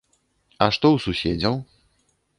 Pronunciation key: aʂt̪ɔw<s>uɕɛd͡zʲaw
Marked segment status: correct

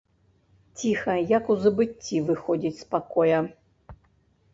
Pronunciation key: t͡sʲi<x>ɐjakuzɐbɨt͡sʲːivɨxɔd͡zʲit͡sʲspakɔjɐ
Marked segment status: correct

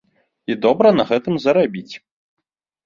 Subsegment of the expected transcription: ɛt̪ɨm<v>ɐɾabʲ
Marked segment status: incorrect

